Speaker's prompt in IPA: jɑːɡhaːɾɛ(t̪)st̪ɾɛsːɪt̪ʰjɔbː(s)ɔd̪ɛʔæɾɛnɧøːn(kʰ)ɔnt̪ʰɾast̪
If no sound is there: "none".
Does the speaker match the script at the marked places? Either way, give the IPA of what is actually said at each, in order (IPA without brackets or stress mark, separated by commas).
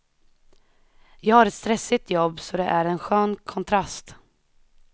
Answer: t̪, s, kʰ